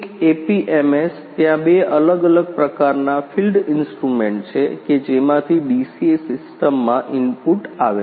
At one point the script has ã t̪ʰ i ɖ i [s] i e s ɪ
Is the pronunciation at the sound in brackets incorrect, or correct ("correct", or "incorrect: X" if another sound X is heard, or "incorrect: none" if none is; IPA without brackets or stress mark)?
correct